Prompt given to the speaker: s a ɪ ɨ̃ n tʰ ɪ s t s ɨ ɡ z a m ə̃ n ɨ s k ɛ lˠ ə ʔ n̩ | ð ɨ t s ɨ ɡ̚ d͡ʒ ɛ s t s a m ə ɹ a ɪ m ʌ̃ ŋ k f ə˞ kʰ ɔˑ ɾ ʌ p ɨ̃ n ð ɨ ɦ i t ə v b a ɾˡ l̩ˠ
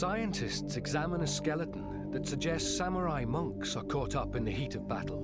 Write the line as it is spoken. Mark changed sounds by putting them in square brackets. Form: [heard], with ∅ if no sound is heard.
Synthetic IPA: s a ɪ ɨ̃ n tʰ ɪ s t s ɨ ɡ z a m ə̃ n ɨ s k ɛ lˠ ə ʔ n̩ | ð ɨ t s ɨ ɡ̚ d͡ʒ ɛ s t s a m ə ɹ a ɪ m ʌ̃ ŋ k [s] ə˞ kʰ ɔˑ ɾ ʌ p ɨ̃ n ð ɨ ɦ i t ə v b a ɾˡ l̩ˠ